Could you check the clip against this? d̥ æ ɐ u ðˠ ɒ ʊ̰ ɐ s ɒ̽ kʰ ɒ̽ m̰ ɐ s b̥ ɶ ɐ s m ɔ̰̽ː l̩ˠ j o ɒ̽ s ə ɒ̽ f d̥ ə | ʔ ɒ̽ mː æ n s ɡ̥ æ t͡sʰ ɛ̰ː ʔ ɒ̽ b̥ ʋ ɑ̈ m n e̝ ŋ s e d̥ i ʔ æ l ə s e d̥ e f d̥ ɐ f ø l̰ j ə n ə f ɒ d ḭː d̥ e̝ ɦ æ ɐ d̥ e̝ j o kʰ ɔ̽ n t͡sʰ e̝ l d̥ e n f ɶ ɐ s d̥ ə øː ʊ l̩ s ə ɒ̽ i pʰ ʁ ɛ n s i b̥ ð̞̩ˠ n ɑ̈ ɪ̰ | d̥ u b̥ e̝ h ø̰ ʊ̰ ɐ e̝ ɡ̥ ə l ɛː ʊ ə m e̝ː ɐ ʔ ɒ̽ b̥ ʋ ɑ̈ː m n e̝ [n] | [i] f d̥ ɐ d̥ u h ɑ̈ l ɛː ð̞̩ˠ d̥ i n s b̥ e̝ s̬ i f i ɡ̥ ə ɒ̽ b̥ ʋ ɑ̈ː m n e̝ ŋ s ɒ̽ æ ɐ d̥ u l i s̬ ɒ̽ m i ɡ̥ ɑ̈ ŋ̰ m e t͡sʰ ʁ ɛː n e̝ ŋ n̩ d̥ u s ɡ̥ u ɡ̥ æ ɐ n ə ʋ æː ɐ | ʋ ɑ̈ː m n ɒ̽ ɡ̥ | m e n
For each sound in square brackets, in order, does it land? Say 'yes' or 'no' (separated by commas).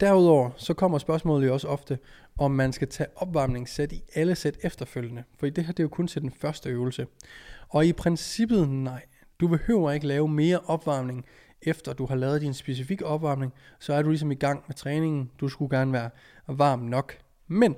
no, no